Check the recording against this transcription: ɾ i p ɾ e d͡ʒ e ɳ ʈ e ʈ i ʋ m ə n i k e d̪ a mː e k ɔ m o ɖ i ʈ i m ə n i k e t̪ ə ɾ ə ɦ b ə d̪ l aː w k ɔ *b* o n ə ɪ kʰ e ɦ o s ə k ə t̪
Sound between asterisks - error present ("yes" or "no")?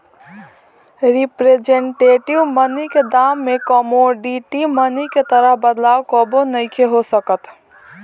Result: no